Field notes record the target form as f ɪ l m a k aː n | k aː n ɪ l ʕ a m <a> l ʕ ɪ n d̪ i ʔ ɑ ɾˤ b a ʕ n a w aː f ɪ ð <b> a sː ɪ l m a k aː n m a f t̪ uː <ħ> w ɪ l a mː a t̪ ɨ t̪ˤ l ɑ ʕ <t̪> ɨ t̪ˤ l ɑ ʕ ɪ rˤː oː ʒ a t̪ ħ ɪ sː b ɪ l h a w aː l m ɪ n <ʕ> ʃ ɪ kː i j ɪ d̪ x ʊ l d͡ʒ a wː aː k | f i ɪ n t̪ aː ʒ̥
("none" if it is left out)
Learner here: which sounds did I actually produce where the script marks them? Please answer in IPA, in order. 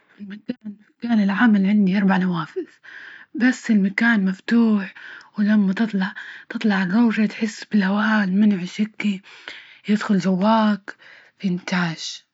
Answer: a, b, ħ, t̪, ʕ

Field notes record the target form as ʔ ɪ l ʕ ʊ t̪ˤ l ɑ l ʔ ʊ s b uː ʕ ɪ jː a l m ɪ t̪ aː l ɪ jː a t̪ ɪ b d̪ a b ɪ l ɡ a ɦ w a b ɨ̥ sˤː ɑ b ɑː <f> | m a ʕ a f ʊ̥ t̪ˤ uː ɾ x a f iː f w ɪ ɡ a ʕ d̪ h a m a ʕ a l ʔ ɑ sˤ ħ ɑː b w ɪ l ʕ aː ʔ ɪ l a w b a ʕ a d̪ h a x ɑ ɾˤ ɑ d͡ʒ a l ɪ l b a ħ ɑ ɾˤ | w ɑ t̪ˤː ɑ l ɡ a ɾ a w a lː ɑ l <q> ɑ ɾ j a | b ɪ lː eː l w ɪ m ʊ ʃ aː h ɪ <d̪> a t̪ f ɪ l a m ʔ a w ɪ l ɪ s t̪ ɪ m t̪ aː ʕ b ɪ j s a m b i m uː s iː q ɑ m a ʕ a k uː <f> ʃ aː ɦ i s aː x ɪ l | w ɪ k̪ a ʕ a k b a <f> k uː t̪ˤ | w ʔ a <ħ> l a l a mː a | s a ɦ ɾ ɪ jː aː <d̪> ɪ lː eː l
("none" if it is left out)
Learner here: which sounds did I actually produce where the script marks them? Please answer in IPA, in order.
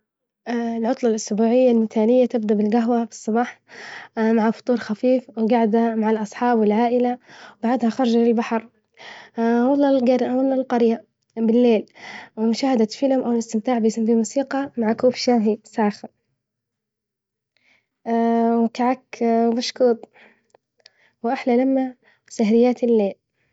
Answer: ħ, q, d̪, f, ʃ, ħ, t̪

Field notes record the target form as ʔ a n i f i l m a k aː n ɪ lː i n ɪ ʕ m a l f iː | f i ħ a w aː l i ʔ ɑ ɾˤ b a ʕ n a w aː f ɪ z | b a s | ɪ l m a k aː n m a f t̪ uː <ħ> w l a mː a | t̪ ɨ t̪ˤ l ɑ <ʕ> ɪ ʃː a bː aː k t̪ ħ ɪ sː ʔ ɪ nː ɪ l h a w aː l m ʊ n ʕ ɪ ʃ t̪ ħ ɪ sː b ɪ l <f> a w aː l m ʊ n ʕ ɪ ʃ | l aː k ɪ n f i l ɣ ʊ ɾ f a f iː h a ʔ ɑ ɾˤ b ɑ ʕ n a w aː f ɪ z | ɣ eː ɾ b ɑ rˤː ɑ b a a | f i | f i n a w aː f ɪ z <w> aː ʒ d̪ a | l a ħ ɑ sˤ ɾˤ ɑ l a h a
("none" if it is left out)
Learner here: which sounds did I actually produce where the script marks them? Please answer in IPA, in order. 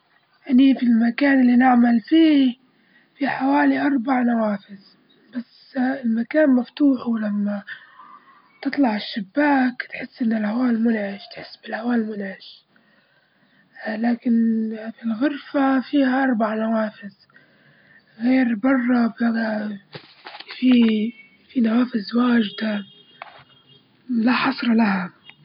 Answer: ħ, ʕ, h, w

